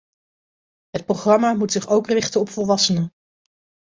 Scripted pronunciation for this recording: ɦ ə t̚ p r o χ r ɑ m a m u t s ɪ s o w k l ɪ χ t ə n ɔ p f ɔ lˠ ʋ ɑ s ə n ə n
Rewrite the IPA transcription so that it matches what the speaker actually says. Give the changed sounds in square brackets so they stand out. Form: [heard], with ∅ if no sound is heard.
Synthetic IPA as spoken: ɦ ə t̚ p r o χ r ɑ m a m u t s ɪ [χ] o w k [r] ɪ χ t ə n ɔ p f ɔ lˠ ʋ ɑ s ə n ə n